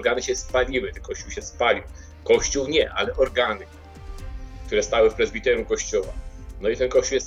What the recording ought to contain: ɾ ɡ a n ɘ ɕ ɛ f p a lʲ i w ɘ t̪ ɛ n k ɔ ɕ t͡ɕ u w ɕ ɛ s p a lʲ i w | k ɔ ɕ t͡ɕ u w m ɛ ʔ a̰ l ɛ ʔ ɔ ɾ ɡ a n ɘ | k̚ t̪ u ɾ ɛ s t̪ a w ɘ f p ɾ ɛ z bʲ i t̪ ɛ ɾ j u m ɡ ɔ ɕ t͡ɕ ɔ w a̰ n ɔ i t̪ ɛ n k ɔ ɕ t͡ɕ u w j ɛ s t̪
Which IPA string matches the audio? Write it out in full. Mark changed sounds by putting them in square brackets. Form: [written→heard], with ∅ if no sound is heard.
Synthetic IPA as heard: ɾ ɡ a n ɘ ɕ ɛ [f→s] p a lʲ i w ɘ t̪ ɛ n k ɔ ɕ t͡ɕ u w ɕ ɛ s p a lʲ i w | k ɔ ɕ t͡ɕ u w [m→ɲ] ɛ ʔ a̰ l ɛ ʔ ɔ ɾ ɡ a n ɘ | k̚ t̪ u ɾ ɛ s t̪ a w ɘ f p ɾ ɛ z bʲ i t̪ ɛ ɾ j u m [ɡ→k] ɔ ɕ t͡ɕ ɔ w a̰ n ɔ i t̪ ɛ n k ɔ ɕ t͡ɕ u w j ɛ s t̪